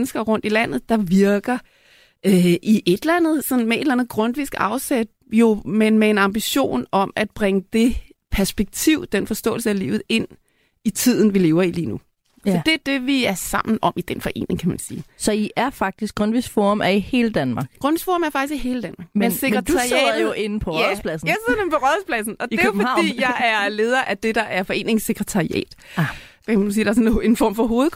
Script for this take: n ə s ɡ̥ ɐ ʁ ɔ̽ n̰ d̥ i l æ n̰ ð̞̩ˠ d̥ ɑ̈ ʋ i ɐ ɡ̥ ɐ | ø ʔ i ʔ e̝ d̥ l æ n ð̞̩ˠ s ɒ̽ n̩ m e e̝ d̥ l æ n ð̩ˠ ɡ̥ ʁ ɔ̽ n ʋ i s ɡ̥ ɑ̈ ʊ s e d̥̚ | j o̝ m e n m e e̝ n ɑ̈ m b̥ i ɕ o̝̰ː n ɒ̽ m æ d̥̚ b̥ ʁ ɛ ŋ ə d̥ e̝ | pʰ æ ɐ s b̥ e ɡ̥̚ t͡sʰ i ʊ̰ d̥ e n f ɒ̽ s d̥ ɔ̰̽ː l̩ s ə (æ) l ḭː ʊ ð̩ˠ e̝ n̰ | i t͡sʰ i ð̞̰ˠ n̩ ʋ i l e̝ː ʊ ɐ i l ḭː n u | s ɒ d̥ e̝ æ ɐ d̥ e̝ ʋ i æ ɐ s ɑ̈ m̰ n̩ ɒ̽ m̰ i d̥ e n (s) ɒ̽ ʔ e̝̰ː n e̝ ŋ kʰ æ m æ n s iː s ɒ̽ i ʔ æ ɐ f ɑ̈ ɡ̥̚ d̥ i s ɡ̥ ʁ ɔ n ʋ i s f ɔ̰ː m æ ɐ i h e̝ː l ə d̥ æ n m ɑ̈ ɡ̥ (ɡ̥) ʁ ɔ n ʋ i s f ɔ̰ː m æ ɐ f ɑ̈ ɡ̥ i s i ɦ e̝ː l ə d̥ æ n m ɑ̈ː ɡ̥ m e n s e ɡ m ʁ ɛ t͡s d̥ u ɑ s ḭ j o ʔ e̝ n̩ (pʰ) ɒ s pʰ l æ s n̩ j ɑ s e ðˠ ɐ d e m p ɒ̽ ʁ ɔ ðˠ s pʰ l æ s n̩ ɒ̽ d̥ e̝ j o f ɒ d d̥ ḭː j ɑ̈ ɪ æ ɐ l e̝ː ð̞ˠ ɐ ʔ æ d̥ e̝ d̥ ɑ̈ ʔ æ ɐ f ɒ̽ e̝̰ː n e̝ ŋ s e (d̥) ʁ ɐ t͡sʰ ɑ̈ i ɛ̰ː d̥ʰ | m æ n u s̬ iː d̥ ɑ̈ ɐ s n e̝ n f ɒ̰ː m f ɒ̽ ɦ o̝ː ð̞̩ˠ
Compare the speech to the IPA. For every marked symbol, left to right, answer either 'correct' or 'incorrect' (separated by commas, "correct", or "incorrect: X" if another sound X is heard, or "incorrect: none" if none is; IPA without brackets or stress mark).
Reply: correct, incorrect: f, correct, correct, incorrect: ɡ̥